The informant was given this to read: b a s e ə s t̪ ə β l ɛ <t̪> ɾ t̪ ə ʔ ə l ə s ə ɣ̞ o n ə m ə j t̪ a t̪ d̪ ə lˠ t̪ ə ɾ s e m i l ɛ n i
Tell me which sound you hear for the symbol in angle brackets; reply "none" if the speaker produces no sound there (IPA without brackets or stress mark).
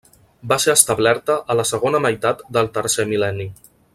none